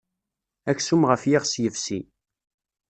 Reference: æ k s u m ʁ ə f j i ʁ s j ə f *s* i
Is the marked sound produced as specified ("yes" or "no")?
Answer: yes